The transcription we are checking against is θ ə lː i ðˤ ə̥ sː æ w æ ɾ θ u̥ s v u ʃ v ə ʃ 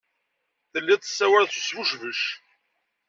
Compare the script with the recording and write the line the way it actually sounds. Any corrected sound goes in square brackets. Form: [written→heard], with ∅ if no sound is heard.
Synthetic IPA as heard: θ ə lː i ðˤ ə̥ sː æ w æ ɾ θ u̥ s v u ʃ v ə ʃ

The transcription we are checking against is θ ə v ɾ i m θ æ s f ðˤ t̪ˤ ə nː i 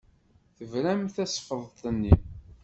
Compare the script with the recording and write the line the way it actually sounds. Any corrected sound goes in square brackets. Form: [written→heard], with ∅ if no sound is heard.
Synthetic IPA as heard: θ ə v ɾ [i→æ] m θ æ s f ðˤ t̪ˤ ə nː i

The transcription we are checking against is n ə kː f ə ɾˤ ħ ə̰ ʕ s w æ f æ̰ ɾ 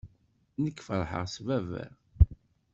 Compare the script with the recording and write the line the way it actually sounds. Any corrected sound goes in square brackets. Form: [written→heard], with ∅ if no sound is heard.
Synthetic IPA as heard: n ə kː f ə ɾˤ ħ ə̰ [ʕ→ʁ] s [w→v] æ [f→v] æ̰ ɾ

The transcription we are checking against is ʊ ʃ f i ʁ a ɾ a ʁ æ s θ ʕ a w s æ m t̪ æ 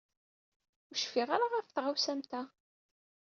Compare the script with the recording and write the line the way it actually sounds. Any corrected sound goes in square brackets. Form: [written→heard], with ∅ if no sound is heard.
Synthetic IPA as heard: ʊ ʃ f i ʁ a ɾ a ʁ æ [s→f] θ [ʕ→ʁ] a w s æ m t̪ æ

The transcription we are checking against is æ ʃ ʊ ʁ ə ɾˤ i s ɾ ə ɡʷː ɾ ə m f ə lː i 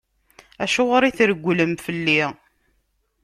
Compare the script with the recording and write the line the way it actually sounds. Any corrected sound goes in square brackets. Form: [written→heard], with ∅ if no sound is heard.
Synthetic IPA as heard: æ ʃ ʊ ʁ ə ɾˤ i [s→θ] ɾ ə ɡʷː [ɾ→l] ə m f ə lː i

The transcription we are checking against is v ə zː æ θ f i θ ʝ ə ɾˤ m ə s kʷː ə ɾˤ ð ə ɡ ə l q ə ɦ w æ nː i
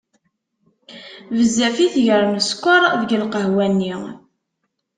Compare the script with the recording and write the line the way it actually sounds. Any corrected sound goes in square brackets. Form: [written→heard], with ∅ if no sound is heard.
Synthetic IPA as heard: v ə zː æ [θ→∅] f i θ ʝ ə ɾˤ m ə s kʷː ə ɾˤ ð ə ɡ ə l q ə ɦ w æ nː i

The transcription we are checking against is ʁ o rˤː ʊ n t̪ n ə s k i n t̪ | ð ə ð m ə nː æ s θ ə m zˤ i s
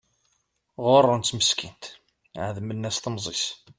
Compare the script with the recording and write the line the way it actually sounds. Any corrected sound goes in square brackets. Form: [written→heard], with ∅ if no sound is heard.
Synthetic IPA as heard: ʁ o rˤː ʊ n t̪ [n→m] ə s k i n t̪ | [ð→ʕ] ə ð m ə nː æ s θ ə m zˤ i s

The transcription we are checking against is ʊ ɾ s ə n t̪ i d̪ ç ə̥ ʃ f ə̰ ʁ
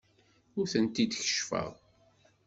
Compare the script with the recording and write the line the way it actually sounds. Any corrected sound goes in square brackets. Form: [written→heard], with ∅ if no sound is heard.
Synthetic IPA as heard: ʊ ɾ [s→θ] ə n t̪ i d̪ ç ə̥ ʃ f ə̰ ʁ

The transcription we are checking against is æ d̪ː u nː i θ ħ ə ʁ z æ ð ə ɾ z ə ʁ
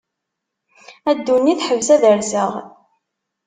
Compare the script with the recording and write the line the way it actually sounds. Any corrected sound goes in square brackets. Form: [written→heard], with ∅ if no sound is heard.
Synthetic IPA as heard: æ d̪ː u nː i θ ħ ə [ʁ→v] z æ ð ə ɾ z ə ʁ

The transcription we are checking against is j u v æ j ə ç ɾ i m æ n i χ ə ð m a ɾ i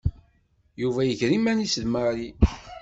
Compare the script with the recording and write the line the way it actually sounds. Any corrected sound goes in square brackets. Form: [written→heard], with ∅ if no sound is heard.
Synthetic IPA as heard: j u v æ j ə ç ɾ i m æ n i [χ→s] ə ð m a ɾ i

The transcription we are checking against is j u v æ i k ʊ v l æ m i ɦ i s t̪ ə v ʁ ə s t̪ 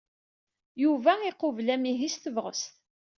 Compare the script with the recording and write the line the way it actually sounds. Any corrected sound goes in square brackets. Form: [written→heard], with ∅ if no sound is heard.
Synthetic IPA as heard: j u v æ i [k→q] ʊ v l æ m i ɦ i s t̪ ə v ʁ ə s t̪

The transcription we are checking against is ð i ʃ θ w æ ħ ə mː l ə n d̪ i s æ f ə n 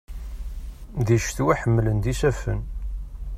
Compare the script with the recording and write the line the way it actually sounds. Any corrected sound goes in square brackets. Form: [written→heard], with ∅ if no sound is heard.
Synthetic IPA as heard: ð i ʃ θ w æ ħ ə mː l ə n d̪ i s æ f ə n

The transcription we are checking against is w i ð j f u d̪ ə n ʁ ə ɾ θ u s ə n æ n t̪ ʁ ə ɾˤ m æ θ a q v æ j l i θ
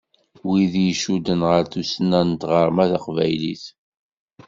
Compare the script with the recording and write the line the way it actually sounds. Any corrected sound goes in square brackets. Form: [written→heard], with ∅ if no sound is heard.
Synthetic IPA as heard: w i ð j [f→ʃ] u d̪ ə n ʁ ə ɾ θ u s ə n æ n t̪ ʁ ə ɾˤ m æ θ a q v æ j l i θ

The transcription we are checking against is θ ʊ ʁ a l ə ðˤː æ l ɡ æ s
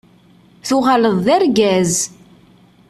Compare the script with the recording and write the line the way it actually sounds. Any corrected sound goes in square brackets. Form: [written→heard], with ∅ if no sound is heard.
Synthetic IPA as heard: θ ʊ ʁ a l ə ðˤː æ [l→ɾ] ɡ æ [s→z]

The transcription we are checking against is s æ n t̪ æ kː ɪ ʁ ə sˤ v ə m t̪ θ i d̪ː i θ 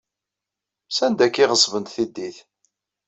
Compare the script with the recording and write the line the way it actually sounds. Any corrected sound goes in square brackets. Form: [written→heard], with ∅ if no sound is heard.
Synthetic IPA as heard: s æ n [t̪→d̪] æ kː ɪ ʁ ə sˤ v ə [m→n] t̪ θ i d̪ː i θ

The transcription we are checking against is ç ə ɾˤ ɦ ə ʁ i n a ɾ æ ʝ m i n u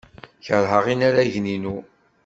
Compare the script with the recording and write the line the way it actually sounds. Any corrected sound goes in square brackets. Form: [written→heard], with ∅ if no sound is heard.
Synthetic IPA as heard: ç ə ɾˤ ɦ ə ʁ i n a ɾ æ ʝ [m→n] i n u

